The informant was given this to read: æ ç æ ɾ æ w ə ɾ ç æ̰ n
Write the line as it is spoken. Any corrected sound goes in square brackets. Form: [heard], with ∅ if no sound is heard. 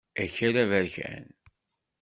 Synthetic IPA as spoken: æ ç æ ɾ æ [v] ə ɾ ç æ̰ n